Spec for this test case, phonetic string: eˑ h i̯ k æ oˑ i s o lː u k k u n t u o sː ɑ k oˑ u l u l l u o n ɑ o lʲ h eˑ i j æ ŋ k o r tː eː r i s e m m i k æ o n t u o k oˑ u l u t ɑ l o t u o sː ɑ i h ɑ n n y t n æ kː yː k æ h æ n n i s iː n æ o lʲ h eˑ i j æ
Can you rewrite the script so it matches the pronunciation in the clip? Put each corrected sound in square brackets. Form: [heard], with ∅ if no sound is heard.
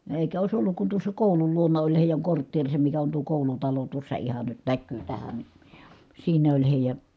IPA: eˑ [∅] i̯ k æ oˑ i s o lː u k k u n t u o sː ɑ k oˑ u l u l l u o n ɑ o lʲ h eˑ i j æ ŋ k o r tː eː r i s e m m i k æ o n t u o k oˑ u l u t ɑ l o t u o sː ɑ i h ɑ n n y t n æ kː yː [t] æ h æ n n i s iː n æ o lʲ h eˑ i j æ